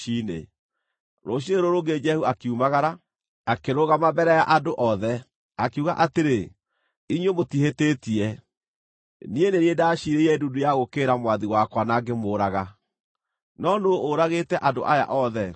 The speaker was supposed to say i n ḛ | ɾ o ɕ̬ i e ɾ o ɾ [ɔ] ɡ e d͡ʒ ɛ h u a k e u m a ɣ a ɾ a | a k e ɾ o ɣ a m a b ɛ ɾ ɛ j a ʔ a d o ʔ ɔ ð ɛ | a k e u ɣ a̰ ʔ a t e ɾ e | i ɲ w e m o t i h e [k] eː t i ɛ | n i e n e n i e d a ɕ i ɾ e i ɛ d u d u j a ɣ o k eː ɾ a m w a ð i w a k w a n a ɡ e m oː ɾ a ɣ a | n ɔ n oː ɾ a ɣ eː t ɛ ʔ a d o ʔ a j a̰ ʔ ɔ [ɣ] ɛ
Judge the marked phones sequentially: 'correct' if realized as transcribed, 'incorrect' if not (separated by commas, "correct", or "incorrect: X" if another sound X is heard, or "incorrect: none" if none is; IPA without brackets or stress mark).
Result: incorrect: o, incorrect: t, incorrect: ð